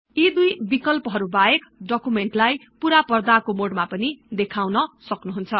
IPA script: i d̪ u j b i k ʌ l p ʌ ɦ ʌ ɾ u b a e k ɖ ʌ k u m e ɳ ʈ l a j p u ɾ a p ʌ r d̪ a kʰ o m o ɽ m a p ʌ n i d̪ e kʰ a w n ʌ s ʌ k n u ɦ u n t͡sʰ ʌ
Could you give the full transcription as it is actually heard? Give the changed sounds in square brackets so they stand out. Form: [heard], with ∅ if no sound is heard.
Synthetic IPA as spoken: i d̪ u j b i k ʌ l p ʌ ɦ ʌ ɾ u b a e k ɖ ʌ k u m e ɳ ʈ l a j p u ɾ a p ʌ r d̪ a [k] o m o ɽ m a p ʌ n i d̪ e kʰ a w n ʌ s ʌ k n u ɦ u n t͡sʰ ʌ